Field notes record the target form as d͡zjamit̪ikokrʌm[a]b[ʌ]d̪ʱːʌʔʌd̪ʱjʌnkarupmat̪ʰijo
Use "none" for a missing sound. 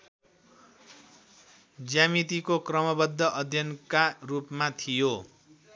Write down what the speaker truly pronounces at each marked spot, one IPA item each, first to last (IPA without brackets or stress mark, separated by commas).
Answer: ʌ, ʌ